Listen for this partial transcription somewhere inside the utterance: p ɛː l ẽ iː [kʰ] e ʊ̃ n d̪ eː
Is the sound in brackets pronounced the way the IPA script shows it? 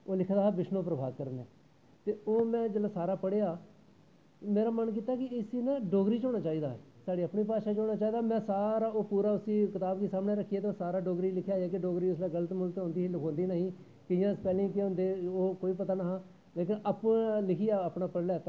no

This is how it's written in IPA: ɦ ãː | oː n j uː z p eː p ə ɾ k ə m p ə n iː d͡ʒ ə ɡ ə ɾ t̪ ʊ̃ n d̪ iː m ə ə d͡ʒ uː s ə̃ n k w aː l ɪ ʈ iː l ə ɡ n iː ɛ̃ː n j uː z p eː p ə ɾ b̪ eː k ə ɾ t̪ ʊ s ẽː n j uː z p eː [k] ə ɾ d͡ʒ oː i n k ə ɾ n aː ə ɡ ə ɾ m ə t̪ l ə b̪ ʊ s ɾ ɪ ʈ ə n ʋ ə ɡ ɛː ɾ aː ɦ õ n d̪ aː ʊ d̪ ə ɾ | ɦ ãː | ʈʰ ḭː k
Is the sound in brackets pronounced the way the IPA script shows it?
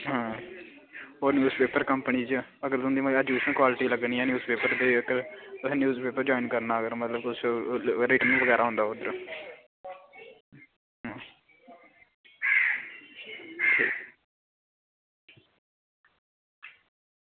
no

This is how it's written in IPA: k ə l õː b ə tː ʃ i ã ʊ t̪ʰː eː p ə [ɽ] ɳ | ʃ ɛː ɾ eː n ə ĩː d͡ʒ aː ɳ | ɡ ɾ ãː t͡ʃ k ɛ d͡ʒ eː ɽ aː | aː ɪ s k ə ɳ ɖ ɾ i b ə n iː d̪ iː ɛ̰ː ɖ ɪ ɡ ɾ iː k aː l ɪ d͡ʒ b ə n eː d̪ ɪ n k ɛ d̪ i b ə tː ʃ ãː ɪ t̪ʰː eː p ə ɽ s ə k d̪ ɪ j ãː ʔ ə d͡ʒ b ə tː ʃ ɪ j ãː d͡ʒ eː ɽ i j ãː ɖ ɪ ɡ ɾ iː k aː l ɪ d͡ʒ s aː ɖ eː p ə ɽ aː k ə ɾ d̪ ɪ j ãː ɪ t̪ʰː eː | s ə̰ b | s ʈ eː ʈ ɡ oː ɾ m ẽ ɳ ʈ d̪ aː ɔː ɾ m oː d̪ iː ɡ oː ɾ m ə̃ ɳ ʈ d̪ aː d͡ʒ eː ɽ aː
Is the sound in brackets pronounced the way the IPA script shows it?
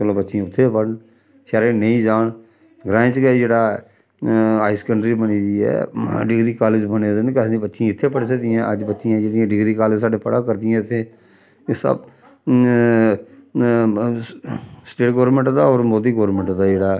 yes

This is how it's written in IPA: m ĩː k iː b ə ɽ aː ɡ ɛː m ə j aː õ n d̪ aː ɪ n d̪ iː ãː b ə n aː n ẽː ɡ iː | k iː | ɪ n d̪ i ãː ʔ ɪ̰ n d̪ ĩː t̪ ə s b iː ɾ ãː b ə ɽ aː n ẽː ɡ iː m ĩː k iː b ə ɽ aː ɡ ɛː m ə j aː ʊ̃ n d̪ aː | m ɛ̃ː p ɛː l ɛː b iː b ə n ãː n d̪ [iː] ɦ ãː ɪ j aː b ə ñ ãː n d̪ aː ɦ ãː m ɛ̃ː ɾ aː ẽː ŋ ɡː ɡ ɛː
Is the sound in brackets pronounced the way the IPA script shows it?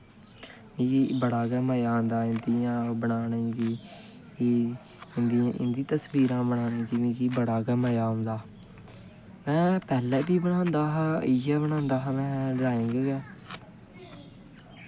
no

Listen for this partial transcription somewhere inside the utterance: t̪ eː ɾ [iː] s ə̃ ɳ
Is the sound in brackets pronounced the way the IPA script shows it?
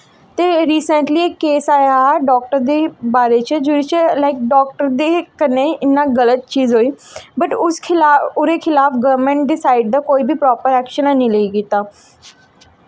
yes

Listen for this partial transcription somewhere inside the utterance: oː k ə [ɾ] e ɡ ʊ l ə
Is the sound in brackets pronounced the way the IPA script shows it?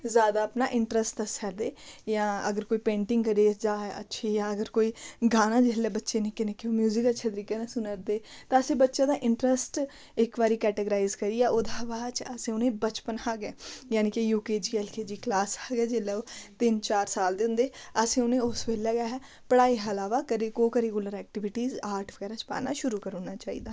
yes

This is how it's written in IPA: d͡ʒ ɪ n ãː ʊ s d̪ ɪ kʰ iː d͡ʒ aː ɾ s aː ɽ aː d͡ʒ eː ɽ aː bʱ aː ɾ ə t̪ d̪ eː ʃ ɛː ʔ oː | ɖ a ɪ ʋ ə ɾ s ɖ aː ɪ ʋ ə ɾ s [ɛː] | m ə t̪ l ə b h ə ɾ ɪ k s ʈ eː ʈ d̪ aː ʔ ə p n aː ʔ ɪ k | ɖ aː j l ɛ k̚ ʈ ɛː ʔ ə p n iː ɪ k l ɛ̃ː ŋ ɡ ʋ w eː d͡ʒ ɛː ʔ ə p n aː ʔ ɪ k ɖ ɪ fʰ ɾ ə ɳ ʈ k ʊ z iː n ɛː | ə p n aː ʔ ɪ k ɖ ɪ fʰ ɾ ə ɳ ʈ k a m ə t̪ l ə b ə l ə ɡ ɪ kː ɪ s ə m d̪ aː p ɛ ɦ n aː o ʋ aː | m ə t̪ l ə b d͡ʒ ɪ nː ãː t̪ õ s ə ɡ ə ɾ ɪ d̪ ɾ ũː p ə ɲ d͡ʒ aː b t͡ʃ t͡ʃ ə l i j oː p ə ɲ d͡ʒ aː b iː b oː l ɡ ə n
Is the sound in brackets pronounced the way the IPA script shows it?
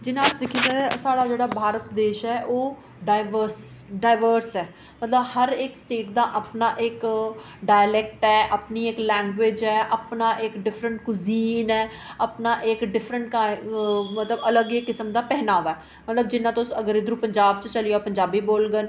yes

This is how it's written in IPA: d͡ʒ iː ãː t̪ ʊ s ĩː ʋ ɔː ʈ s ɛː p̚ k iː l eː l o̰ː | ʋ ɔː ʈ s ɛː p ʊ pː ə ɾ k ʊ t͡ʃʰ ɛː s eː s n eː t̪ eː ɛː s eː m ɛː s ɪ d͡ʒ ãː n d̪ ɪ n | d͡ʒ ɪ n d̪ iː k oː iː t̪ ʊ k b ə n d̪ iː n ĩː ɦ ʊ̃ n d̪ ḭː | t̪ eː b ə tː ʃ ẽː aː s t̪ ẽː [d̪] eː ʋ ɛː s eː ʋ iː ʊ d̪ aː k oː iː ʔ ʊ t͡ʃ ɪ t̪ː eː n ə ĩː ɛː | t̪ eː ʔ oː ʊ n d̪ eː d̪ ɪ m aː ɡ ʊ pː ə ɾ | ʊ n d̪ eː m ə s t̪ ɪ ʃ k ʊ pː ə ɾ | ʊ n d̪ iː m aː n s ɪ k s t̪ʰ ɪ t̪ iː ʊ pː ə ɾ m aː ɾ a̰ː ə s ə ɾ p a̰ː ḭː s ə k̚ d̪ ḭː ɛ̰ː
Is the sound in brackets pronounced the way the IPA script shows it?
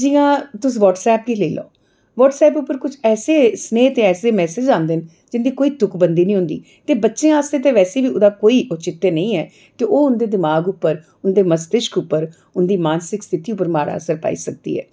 no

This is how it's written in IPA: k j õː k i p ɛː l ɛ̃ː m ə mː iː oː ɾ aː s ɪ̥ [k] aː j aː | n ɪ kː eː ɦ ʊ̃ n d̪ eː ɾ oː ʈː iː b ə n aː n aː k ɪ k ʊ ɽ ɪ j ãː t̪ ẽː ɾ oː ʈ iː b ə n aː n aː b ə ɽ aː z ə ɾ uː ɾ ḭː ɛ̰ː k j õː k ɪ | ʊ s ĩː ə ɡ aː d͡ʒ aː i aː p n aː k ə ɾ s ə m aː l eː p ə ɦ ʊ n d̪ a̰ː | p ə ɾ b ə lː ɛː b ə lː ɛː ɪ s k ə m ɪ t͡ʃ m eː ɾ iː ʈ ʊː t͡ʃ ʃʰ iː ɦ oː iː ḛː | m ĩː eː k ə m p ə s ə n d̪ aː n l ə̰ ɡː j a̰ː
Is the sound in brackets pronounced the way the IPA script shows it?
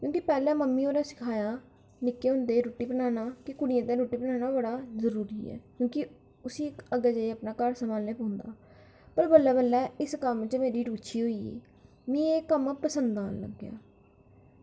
no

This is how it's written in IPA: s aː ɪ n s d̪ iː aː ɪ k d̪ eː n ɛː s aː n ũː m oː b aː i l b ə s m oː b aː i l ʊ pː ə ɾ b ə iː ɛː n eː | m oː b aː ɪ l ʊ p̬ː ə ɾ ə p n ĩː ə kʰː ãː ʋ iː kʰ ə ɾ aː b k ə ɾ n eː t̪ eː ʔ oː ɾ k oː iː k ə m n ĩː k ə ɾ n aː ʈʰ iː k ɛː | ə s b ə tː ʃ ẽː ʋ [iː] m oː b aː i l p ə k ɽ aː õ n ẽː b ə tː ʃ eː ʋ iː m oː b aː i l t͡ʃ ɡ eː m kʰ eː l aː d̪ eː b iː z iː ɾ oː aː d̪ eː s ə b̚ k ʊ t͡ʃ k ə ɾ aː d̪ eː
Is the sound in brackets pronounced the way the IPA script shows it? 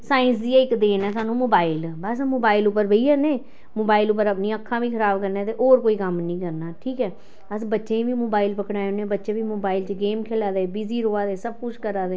yes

